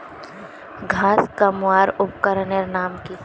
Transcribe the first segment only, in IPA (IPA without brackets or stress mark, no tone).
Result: ɡʱ